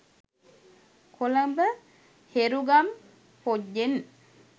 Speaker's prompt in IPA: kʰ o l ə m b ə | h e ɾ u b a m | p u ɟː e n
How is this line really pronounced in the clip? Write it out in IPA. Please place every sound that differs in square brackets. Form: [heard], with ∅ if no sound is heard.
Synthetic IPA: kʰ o l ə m b ə | h e ɾ u [ɡ] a m | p [o] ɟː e n